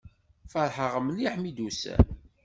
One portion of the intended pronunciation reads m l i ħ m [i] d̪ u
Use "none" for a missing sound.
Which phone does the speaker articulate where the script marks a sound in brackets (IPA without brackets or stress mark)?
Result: i